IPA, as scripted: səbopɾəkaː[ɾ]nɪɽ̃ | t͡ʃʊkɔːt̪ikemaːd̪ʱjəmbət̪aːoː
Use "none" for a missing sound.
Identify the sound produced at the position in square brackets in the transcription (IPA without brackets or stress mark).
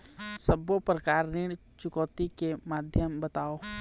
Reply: ɾ